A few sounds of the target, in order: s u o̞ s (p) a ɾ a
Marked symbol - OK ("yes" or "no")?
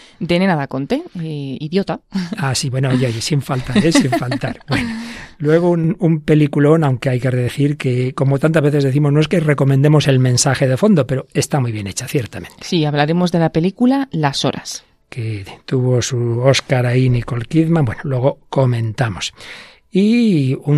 no